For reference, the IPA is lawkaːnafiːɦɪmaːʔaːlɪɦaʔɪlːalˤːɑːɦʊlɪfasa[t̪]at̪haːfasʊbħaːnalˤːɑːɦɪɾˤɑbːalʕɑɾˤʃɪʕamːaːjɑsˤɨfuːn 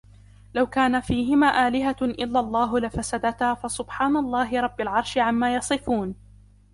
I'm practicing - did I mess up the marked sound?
yes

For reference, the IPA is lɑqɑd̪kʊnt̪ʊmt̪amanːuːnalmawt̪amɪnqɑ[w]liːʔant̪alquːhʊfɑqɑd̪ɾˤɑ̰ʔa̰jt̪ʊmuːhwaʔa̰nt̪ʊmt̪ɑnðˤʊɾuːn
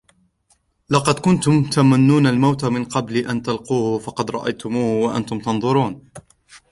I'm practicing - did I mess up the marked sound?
yes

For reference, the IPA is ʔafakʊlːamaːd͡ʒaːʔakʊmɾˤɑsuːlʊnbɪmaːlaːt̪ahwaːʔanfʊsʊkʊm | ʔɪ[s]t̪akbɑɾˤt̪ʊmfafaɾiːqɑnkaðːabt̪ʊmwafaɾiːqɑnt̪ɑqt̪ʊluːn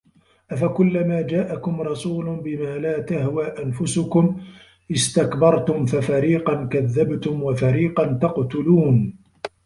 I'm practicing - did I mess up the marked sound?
no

